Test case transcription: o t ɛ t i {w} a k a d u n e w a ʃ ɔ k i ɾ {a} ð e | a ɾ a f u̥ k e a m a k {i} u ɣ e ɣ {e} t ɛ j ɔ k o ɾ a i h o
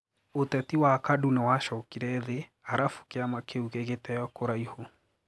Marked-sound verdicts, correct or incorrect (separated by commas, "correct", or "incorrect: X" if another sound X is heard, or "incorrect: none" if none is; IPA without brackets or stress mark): correct, incorrect: ɛ, incorrect: e, correct